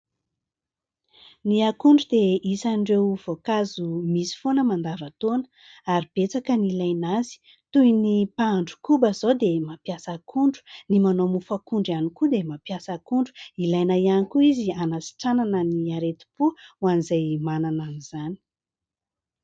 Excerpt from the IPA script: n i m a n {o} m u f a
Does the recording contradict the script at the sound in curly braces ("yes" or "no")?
no